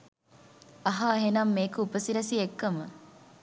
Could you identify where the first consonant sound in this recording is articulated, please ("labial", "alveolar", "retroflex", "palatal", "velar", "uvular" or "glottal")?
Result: glottal